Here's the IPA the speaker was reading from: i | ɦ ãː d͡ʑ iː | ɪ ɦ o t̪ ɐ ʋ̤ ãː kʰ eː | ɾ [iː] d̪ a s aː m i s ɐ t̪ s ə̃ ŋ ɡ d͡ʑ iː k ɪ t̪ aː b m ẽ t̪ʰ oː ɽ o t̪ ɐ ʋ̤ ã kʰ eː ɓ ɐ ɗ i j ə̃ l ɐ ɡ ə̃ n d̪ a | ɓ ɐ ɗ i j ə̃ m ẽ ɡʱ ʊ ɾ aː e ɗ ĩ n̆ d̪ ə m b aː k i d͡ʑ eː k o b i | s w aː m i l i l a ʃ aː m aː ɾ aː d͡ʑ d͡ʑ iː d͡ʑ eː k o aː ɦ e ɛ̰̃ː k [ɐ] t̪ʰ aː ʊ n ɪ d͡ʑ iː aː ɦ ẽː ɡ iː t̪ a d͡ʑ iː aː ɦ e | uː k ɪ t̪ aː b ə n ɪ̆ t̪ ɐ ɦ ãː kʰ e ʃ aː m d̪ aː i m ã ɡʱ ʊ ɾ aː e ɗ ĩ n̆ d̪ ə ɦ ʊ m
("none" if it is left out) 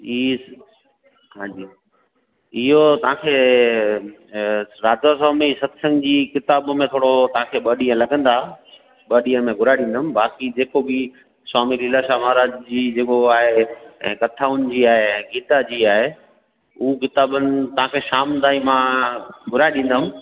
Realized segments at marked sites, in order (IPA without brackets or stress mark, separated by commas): aː, ɐ